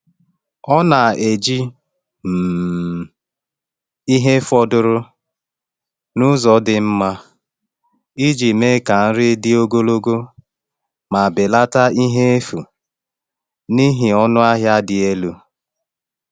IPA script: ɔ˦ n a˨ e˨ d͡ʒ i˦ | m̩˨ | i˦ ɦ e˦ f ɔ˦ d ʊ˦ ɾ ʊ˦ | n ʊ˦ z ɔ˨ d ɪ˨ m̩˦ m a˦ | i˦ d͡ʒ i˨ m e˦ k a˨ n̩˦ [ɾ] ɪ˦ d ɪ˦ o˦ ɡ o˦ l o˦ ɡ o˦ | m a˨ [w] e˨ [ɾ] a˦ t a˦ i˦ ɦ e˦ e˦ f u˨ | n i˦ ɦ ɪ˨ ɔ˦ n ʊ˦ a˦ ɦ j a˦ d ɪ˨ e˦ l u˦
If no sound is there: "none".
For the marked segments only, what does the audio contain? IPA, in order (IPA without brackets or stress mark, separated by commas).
ɾ, b, l